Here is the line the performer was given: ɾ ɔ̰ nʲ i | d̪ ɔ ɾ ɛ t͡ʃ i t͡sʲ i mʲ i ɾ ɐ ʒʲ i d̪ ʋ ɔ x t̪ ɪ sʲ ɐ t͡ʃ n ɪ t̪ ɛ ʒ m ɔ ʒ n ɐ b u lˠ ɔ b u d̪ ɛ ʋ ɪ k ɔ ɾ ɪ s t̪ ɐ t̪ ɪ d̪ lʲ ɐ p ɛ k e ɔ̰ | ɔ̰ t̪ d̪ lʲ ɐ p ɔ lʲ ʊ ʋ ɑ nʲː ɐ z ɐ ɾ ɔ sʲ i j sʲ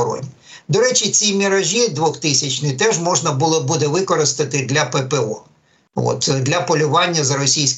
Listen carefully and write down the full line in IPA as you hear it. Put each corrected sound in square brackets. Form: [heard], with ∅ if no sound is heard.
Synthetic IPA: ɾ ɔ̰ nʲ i | d̪ ɔ ɾ ɛ t͡ʃ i t͡sʲ i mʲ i ɾ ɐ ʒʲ i d̪ ʋ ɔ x t̪ ɪ sʲ ɐ t͡ʃ n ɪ t̪ ɛ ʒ m ɔ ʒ n ɐ b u lˠ ɔ b u d̪ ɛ ʋ ɪ k ɔ ɾ ɪ s t̪ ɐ t̪ ɪ d̪ lʲ ɐ p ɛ [p] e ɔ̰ | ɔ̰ t̪ d̪ lʲ ɐ p ɔ lʲ ʊ ʋ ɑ nʲː ɐ z ɐ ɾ ɔ sʲ i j sʲ